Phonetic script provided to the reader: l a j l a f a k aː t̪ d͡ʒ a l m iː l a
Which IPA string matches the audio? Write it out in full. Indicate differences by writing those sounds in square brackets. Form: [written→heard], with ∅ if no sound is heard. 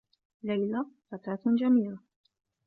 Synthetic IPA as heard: l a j l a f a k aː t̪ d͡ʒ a [l→∅] m iː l a